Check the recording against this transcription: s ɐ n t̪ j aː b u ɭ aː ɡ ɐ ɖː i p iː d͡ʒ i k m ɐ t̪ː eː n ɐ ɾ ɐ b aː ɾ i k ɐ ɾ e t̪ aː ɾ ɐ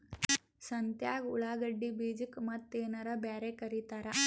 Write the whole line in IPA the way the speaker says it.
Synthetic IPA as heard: s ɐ n t̪ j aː ɡ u ɭ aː ɡ ɐ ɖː i b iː d͡ʒ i k m ɐ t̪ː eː n ɐ ɾ ɐ b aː ɾ e k ɐ ɾ i t̪ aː ɾ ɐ

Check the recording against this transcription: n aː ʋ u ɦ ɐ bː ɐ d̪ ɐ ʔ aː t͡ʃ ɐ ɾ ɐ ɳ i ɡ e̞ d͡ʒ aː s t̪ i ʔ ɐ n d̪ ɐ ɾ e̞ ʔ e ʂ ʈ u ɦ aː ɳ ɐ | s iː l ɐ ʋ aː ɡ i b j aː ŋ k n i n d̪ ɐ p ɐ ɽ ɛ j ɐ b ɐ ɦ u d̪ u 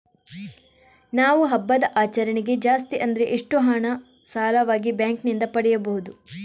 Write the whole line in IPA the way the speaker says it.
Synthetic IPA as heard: n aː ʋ u ɦ ɐ bː ɐ d̪ ɐ ʔ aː t͡ʃ ɐ ɾ ɐ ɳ i ɡ e̞ d͡ʒ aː s t̪ i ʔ ɐ n d̪ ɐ ɾ e̞ ʔ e ʂ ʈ u ɦ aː ɳ ɐ | s aː l ɐ ʋ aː ɡ i b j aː ŋ k n i n d̪ ɐ p ɐ ɽ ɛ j ɐ b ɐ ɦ u d̪ u

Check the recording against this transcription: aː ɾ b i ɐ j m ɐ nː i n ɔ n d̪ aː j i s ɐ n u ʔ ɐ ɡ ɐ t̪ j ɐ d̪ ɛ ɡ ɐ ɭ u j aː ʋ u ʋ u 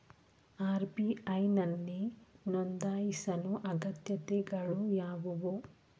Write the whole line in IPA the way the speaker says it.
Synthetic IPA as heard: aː ɾ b i ɐ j n ɐ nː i n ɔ n d̪ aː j i s ɐ n u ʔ ɐ ɡ ɐ t̪ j ɐ t̪ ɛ ɡ ɐ ɭ u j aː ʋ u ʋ u

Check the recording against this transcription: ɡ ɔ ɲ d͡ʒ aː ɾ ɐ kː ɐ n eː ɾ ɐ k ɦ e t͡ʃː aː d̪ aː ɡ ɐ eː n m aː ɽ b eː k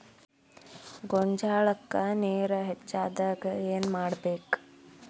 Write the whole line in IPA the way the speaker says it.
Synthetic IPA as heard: ɡ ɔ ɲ d͡ʒ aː ɭ ɐ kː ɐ n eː ɾ ɐ ɦ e t͡ʃː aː d̪ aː ɡ ɐ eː n m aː ɽ b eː k

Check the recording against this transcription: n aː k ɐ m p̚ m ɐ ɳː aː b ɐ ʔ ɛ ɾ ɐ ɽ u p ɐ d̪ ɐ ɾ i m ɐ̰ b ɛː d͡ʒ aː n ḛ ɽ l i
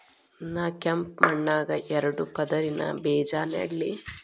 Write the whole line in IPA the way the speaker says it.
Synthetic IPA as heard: n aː k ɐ m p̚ m ɐ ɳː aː ɡ ɐ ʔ ɛ ɾ ɐ ɽ u p ɐ d̪ ɐ ɾ i n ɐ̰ b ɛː d͡ʒ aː n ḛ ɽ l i

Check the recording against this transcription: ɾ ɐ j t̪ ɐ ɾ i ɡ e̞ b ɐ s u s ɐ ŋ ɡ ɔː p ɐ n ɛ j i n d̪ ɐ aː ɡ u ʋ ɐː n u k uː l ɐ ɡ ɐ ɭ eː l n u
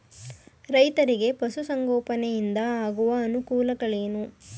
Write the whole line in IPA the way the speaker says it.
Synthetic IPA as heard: ɾ ɐ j t̪ ɐ ɾ i ɡ e̞ p ɐ s u s ɐ ŋ ɡ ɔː p ɐ n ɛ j i n d̪ ɐ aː ɡ u ʋ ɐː n u k uː l ɐ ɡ ɐ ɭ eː n u

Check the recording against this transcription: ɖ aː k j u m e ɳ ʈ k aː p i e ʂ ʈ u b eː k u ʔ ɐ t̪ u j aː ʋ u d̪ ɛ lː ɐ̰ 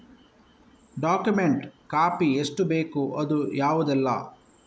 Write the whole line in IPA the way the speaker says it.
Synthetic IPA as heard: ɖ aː k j u m e ɳ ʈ k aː p i e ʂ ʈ u b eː k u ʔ ɐ d̪ u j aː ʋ u d̪ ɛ lː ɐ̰

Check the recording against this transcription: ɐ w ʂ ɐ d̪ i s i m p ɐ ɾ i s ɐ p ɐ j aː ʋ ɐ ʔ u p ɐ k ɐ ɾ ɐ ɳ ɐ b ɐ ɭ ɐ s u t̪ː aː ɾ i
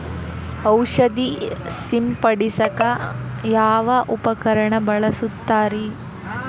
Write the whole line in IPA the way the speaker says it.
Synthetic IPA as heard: ɐ w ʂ ɐ d̪ i s i m p ɐ ɽ i s ɐ k ɐ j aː ʋ ɐ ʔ u p ɐ k ɐ ɾ ɐ ɳ ɐ b ɐ ɭ ɐ s u t̪ː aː ɾ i

